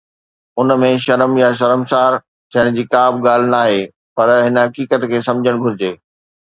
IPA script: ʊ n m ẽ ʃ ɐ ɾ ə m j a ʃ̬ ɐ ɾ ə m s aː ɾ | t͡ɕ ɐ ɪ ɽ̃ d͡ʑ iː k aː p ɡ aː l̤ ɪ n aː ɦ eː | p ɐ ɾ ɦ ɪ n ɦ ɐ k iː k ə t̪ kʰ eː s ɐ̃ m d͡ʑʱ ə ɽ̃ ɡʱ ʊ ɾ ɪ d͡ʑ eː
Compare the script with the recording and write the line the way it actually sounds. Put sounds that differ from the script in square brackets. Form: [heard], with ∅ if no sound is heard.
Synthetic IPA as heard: ʊ n m ẽ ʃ ɐ ɾ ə m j a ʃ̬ ɐ ɾ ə m s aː ɾ | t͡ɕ ɐ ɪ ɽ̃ d͡ʑ iː k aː [b] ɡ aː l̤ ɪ n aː ɦ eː | p ɐ ɾ ɦ ɪ n ɦ ɐ k iː k ə t̪ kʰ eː s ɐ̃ m d͡ʑʱ ə ɽ̃ ɡʱ ʊ ɾ ɪ d͡ʑ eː

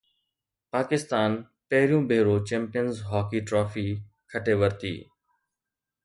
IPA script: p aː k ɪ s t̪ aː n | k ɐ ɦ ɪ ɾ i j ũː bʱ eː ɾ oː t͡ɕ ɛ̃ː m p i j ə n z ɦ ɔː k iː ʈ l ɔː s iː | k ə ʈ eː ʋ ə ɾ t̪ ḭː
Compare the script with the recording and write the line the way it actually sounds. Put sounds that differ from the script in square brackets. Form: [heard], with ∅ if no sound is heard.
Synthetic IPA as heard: p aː k ɪ s t̪ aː n | [p] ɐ ɦ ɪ ɾ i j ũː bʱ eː ɾ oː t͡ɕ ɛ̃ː m p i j ə n z ɦ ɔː k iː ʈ [ɾ] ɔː [f] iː | [kʰ] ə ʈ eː ʋ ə ɾ t̪ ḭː

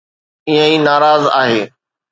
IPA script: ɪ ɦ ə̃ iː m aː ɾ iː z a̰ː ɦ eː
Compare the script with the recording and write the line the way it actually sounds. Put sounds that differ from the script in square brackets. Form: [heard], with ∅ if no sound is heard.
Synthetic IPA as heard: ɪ ɦ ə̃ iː [n] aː ɾ [aː] z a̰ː ɦ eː

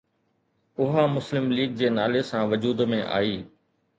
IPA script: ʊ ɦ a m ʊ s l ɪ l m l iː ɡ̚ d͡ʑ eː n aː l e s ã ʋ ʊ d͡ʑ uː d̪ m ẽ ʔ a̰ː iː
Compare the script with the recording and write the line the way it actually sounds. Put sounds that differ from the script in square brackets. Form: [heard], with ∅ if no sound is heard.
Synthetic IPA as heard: ʊ ɦ a m ʊ s l ɪ [∅] m l iː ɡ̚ d͡ʑ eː n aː l e s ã ʋ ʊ d͡ʑ uː d̪ m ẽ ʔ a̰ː iː

